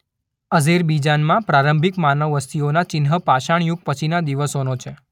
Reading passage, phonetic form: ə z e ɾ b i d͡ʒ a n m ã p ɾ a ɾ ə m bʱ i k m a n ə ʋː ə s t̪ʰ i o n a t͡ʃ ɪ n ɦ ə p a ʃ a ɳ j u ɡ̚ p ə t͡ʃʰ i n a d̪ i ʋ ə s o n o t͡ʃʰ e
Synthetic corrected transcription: ə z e ɾ b i d͡ʒ a n m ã p ɾ a ɾ ə m bʱ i k m a n ə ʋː ə s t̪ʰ i o n a t͡ʃ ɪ n ɦ ə p a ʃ a ɳ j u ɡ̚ p ə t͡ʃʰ i n a d̪ i ʋ ə s o n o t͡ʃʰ e